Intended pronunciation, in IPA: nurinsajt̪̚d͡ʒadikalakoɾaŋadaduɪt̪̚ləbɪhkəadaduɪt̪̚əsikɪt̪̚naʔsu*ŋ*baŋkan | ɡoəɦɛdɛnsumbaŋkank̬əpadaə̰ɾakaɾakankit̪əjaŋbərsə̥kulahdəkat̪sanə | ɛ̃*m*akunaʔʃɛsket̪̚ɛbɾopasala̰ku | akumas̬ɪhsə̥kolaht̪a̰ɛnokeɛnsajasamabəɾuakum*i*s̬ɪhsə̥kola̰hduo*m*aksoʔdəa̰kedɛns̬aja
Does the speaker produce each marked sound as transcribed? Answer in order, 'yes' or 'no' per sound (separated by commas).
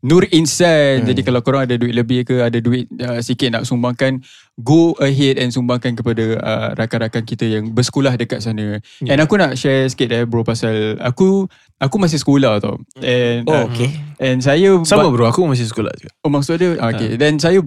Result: no, no, no, yes